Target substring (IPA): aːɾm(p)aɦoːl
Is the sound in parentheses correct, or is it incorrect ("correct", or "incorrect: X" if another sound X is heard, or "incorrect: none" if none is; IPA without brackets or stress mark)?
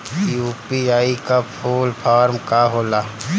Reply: incorrect: k